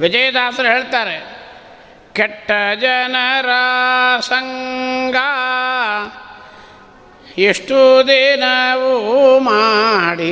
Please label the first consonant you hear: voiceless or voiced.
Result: voiced